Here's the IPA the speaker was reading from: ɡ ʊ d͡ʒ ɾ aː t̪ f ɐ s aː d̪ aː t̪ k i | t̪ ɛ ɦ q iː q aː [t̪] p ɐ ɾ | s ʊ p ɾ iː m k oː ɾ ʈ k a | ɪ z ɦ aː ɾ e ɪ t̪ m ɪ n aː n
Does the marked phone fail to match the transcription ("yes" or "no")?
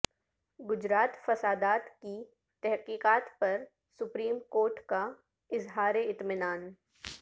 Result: no